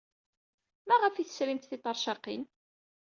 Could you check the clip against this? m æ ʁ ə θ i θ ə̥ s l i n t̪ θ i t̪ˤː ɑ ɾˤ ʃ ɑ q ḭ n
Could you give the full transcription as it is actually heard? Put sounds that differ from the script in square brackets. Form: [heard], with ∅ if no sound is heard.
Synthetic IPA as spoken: m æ ʁ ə [f] i θ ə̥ s [ɾ] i [m] t̪ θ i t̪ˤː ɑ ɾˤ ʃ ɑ q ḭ n

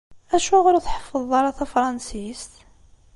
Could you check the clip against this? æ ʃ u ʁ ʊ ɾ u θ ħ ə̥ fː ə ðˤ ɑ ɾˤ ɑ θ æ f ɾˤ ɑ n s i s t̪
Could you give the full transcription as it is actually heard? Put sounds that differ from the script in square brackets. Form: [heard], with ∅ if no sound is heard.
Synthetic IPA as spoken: æ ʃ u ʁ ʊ ɾ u θ ħ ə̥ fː ə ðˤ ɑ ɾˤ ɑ θ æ f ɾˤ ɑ n s i s t̪

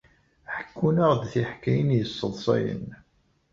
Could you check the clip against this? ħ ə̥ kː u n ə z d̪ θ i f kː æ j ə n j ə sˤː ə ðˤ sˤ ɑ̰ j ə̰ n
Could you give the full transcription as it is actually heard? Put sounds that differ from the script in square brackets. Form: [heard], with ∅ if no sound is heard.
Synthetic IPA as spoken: ħ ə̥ kː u n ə [ʁ] d̪ θ i [ħ] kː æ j ə n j ə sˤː ə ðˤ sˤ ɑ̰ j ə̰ n

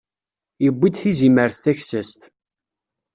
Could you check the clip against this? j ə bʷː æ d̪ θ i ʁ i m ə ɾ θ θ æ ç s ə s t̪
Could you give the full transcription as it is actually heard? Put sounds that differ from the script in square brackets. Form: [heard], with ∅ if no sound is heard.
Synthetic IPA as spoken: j ə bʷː [i] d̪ θ i [z] i m ə ɾ θ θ æ ç s ə s t̪

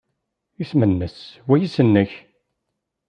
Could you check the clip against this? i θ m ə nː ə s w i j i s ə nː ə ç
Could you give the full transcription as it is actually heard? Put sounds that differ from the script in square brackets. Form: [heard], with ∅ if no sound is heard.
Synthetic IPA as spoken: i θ m ə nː ə s w [æ] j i s ə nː ə ç

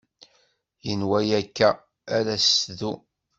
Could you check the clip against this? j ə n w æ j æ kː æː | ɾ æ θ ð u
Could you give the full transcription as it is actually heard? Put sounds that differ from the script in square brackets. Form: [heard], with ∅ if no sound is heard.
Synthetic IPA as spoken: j ə n w æ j æ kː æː | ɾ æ [s] ð u

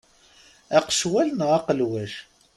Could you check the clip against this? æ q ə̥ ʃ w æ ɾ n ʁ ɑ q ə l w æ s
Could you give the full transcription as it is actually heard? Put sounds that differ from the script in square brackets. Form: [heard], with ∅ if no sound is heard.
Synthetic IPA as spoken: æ q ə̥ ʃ w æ [l] n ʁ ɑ q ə l w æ [ʃ]

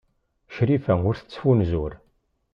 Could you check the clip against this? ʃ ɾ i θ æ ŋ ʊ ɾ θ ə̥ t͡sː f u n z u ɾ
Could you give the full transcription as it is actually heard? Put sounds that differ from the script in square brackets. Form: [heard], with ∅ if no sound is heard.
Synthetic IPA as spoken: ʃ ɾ i [f] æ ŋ ʊ ɾ θ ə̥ t͡sː f u n z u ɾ

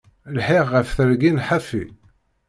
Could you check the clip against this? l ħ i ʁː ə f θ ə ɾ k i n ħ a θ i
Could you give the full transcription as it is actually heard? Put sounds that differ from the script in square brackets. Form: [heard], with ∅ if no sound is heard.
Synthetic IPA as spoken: l ħ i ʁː ə f θ ə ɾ [ɡ] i n ħ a [f] i

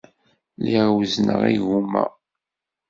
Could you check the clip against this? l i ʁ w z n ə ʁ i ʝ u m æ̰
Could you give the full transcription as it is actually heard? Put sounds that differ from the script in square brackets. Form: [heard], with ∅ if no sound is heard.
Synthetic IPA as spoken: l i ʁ w z n ə ʁ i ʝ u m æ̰

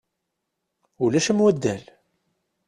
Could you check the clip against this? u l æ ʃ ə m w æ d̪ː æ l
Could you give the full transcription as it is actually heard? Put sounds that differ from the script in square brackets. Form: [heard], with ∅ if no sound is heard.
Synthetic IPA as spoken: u l æ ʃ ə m w æ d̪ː æ l

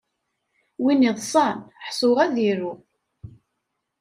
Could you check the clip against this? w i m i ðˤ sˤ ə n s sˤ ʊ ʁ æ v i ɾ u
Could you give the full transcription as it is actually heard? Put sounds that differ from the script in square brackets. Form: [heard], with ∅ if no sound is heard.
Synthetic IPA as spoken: w i [n] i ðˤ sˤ [ɑ] n [ħ] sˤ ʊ ʁ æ [ð] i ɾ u

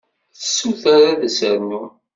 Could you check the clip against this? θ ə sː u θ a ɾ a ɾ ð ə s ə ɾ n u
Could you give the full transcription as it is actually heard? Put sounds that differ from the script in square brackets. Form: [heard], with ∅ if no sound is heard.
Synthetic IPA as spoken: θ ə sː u θ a ɾ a [∅] ð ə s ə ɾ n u

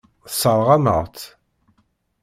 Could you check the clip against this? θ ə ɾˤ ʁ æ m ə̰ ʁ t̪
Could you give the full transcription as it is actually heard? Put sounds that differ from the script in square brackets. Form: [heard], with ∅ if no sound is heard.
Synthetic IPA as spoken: [s] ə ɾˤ ʁ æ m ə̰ ʁ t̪

